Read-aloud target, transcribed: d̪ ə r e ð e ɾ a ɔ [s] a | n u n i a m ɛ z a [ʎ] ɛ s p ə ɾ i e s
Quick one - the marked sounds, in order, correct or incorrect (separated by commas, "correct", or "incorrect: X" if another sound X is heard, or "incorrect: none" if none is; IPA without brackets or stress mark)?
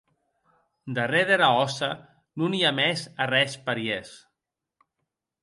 correct, incorrect: r